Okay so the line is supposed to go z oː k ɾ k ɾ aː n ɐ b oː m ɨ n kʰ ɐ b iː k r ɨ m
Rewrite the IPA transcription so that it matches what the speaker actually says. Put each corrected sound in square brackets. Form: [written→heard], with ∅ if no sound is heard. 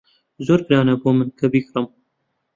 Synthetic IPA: z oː [k→∅] ɾ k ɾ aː n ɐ b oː m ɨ n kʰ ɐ b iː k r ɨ m